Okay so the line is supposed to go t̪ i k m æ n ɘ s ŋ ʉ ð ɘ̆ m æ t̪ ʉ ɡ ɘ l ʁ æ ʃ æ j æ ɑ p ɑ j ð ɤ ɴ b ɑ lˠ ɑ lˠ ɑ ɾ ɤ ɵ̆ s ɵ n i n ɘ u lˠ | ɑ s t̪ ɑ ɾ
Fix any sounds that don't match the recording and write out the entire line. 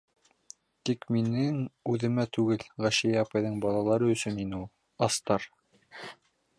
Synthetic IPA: t̪ i k m i n ɘ ŋ ʉ ð ɘ̆ m æ t̪ ʉ ɡ ɘ l ʁ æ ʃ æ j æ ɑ p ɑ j ð ɤ ɴ b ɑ lˠ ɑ lˠ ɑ ɾ ɤ ɵ̆ s ɵ n i n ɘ u lˠ | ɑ s t̪ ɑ ɾ